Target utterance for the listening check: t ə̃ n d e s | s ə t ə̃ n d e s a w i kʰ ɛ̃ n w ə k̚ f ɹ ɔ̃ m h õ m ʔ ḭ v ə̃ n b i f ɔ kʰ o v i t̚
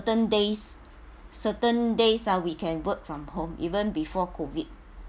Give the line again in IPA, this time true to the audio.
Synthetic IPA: t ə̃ n d e s | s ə t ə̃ n d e s a w i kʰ ɛ̃ n w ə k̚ f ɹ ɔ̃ m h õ m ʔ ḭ v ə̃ n b i f ɔ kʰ o v i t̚